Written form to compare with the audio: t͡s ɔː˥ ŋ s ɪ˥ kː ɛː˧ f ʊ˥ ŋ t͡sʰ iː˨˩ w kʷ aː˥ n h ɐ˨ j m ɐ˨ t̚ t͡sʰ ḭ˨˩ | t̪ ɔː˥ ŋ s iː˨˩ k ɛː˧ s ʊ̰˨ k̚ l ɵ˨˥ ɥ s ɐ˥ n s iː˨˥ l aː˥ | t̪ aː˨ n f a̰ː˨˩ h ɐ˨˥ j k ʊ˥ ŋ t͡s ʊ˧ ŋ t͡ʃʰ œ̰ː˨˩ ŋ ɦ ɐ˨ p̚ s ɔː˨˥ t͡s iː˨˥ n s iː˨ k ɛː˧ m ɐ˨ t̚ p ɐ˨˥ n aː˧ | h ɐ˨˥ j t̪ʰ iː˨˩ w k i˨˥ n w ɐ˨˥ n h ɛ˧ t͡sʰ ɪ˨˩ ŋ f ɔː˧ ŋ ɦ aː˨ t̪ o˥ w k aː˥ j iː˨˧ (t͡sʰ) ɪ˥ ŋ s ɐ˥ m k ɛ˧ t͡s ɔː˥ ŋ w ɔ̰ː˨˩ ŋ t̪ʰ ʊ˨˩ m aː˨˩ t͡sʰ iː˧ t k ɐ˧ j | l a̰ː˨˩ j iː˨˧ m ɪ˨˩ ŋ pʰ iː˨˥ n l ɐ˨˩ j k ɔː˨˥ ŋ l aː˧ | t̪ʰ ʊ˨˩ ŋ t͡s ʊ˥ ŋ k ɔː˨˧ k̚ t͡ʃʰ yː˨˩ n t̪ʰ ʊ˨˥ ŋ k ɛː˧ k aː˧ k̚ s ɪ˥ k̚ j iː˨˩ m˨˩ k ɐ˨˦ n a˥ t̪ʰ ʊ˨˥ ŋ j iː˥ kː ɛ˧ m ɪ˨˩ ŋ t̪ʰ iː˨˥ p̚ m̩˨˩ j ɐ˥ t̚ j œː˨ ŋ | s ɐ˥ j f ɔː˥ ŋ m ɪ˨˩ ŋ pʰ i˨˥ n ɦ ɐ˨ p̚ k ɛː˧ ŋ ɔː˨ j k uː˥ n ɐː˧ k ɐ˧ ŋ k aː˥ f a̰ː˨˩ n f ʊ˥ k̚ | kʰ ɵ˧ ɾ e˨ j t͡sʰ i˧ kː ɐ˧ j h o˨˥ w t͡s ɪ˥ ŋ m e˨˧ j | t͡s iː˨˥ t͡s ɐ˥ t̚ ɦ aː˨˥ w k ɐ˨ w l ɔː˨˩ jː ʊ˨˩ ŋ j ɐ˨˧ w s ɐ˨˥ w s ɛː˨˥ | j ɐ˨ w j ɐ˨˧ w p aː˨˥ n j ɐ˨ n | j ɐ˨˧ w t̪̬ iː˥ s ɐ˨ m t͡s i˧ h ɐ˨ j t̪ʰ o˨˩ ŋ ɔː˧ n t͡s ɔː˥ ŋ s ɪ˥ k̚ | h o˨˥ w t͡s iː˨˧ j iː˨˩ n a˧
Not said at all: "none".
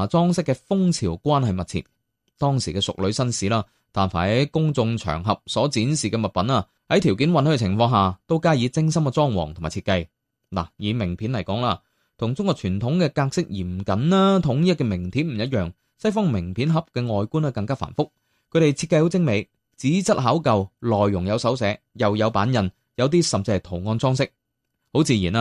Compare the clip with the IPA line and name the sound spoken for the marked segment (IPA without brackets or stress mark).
t͡s